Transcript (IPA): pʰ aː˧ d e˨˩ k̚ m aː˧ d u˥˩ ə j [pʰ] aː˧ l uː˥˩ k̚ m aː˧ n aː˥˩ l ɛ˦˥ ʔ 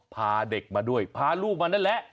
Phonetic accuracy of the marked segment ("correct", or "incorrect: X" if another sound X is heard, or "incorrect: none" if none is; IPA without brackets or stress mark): correct